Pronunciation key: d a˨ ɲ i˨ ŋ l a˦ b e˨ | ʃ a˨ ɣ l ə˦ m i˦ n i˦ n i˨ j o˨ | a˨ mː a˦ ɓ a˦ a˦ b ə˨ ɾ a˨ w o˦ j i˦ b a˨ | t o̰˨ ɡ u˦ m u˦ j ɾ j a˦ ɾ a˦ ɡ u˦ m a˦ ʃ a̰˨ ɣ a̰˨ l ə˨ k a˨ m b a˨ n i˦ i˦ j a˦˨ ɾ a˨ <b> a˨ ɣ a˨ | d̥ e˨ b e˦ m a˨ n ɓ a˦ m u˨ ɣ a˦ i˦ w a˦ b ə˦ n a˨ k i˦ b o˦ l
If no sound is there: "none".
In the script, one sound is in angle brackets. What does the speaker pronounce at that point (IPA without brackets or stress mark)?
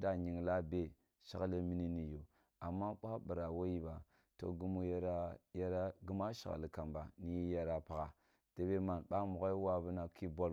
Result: p